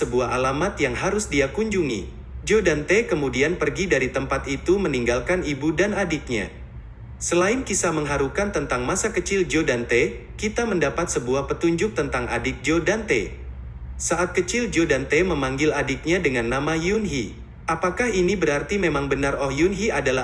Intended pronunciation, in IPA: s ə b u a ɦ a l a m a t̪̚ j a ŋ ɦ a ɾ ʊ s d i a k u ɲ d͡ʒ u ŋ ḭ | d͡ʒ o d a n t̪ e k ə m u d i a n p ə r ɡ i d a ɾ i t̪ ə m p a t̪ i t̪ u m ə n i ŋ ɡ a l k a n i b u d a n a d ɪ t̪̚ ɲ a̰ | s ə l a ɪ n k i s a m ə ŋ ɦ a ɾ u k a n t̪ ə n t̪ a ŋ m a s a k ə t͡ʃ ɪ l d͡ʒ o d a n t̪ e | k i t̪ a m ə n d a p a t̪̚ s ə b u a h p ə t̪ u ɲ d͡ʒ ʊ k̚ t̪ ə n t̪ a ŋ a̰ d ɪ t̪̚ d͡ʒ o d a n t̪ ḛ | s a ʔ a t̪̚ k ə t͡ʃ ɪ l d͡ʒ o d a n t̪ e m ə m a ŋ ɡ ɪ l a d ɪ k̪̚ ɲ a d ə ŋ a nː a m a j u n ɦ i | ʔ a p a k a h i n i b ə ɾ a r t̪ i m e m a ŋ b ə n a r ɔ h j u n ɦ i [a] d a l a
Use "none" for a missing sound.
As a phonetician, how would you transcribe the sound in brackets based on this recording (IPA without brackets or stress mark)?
a